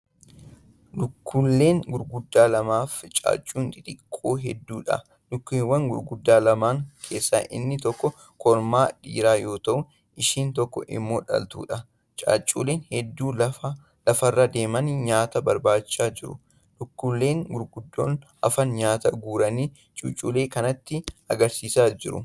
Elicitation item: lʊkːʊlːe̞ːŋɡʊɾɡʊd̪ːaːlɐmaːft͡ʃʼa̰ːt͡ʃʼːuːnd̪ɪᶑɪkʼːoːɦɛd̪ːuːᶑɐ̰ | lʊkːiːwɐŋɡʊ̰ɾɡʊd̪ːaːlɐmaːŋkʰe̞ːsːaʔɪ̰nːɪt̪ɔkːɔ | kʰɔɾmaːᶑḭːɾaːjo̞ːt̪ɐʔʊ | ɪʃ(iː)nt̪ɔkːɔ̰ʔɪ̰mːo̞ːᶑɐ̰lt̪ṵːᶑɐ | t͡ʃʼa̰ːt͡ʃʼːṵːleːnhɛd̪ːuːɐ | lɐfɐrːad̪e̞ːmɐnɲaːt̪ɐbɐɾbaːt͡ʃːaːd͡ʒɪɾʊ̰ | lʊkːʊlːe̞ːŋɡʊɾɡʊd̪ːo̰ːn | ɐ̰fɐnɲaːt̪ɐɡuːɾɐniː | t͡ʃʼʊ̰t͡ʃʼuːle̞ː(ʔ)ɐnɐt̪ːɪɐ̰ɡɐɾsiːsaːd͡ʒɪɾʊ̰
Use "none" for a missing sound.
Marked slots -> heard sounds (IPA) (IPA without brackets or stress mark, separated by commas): iː, k